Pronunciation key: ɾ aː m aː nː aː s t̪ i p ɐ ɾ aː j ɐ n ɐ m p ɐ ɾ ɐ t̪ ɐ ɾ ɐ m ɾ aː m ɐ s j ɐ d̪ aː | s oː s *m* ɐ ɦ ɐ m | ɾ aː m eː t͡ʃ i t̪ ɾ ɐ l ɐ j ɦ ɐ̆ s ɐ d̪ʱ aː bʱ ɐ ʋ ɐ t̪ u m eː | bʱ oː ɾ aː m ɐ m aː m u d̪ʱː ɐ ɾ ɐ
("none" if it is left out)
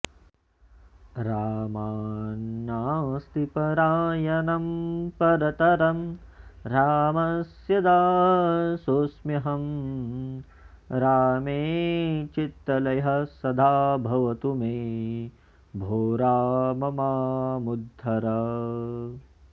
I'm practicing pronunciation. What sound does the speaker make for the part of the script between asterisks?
m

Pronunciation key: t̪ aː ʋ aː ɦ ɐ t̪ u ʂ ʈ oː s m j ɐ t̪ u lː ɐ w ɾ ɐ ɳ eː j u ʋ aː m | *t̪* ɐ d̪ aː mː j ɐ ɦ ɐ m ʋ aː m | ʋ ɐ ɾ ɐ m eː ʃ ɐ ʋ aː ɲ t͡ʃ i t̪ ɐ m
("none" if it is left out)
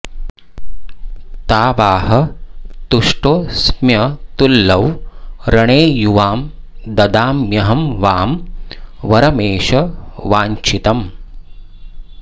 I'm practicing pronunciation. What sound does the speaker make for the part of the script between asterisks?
d̪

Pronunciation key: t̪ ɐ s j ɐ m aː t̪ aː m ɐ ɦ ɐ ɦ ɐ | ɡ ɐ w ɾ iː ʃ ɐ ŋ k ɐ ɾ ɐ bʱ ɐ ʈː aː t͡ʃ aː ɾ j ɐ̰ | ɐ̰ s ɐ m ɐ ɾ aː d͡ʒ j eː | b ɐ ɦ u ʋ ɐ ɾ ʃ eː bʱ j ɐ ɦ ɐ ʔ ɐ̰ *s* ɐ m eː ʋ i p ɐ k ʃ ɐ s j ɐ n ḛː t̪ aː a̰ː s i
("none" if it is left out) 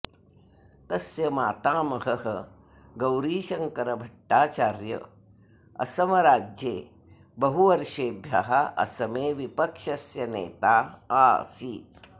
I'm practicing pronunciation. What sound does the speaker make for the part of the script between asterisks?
s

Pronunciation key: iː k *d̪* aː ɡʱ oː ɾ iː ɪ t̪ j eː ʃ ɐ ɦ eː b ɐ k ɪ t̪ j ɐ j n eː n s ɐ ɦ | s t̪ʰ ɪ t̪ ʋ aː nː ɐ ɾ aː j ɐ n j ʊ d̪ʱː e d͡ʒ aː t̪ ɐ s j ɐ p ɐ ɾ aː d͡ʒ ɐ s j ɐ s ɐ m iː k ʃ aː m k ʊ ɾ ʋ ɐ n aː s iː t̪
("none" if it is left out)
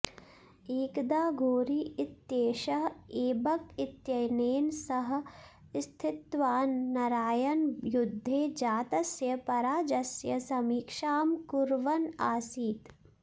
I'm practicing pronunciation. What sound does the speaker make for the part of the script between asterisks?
d̪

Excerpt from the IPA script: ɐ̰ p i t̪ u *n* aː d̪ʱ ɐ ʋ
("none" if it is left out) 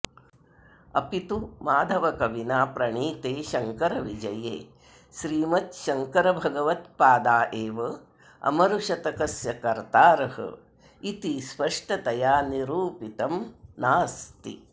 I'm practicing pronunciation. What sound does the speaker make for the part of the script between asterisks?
m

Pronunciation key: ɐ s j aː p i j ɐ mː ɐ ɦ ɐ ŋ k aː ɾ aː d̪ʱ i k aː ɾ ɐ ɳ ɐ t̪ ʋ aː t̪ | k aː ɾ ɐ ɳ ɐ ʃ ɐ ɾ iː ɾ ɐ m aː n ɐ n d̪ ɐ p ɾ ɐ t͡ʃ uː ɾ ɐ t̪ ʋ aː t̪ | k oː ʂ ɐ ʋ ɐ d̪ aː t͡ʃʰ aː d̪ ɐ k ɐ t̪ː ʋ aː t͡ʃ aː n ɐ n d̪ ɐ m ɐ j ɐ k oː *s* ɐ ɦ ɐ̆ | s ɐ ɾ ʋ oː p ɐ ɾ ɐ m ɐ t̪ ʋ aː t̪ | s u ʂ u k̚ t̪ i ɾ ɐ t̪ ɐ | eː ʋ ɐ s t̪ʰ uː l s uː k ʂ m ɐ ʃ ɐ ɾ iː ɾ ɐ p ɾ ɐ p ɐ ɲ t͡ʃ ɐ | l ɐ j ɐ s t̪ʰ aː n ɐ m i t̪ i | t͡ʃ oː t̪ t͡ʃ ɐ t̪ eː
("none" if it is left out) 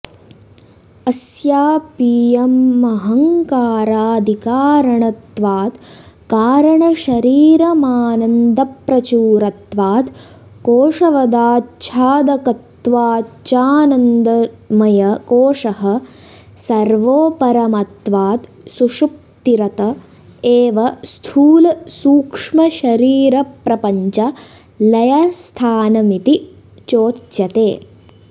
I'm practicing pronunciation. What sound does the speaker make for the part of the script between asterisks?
ʂ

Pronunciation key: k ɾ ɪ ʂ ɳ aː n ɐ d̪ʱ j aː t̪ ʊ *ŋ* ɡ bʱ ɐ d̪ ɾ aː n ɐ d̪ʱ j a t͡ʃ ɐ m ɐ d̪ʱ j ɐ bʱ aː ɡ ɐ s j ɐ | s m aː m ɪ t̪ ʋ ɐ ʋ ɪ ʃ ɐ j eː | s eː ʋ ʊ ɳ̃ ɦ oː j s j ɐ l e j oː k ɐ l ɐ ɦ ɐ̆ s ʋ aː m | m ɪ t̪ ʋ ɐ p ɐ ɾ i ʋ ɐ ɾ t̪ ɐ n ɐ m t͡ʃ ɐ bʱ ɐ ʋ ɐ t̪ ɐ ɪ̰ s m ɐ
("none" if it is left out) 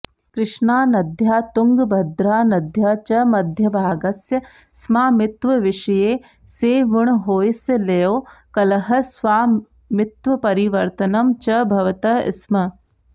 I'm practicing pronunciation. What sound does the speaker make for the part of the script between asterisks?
ŋ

